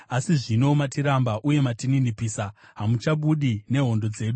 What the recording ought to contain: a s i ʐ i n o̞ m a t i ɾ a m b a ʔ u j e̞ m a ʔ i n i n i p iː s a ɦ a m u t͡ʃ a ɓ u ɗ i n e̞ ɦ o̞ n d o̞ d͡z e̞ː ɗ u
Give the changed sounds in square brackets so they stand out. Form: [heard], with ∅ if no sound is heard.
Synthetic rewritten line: a s i ʐ i n o̞ m a t i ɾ a m b a ʔ u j e̞ m a [t] i n i n i p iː s a ɦ a m u t͡ʃ a ɓ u ɗ i n e̞ ɦ o̞ n d o̞ d͡z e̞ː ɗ u